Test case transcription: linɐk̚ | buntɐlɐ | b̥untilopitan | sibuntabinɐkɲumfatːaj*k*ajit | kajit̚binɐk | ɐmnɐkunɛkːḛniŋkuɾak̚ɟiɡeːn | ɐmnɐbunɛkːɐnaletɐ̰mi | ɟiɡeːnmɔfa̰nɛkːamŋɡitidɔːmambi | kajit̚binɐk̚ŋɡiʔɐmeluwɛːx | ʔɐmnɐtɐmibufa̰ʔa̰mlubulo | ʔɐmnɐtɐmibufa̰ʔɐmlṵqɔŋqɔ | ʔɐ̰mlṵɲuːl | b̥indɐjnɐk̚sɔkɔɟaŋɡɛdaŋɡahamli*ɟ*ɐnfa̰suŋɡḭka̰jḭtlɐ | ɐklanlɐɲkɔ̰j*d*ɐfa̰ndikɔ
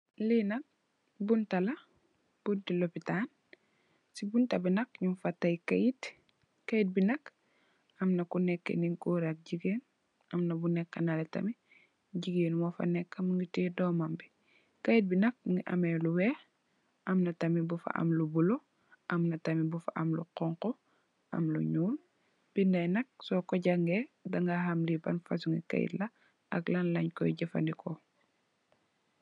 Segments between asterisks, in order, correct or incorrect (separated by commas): correct, incorrect, incorrect